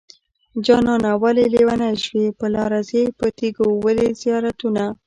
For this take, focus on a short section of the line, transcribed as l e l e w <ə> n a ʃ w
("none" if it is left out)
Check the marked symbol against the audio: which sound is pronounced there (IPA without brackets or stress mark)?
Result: a